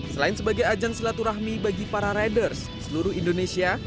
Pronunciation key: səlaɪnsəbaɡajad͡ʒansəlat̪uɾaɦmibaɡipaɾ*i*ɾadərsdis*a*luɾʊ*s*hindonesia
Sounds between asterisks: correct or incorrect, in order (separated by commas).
incorrect, incorrect, incorrect